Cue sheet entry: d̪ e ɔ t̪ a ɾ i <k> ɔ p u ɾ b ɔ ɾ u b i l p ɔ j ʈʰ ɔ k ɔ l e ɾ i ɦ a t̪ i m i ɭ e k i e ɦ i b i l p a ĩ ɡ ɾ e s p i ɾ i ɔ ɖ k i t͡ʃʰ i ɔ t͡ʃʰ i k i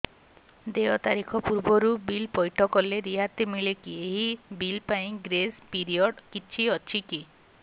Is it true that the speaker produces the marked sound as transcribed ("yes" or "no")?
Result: no